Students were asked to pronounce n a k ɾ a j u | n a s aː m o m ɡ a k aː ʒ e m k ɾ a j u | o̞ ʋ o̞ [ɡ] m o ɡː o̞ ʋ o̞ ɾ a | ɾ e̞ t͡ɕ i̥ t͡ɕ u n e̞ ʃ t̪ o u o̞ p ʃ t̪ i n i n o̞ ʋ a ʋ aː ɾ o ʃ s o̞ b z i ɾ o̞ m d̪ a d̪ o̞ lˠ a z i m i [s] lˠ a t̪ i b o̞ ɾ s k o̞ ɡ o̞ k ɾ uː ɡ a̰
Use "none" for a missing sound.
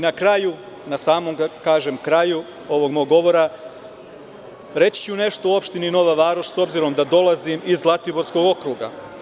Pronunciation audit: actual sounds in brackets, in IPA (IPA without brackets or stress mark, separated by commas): ɡ, z